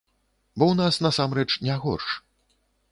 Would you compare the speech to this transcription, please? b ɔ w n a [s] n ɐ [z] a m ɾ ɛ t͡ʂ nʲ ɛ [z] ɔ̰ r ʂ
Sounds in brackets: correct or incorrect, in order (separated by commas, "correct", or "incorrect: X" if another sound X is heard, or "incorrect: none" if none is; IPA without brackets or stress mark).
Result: correct, incorrect: s, incorrect: ɣ